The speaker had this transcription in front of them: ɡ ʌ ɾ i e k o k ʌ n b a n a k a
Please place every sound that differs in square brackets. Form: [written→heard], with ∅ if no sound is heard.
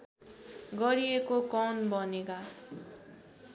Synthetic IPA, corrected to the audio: ɡ ʌ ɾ i e k o k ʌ n b [a→ʌ] n [a→e] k a